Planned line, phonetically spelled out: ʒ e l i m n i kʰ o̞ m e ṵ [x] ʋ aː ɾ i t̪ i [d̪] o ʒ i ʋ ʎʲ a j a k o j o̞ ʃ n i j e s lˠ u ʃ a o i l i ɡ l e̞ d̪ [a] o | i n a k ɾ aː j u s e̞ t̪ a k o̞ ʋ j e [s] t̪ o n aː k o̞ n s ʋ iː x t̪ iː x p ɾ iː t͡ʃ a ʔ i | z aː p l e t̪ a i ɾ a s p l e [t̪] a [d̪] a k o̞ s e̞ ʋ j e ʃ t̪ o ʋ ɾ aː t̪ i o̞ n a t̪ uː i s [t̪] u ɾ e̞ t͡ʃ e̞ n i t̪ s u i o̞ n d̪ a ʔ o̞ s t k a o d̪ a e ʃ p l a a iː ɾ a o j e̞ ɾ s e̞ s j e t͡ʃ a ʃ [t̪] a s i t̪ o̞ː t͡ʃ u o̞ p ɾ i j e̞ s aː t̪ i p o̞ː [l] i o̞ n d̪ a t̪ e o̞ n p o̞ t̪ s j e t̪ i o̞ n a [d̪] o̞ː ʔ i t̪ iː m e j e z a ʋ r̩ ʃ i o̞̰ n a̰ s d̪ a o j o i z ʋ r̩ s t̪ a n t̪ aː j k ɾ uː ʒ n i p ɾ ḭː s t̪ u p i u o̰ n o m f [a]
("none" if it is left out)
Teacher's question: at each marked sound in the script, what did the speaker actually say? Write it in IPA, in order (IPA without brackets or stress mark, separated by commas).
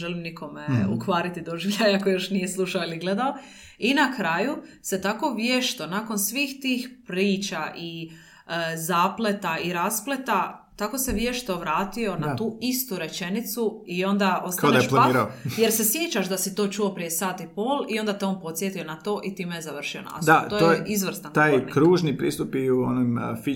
k, d̪, a, ʃ, t̪, t̪, t̪, d̪, l, t̪, i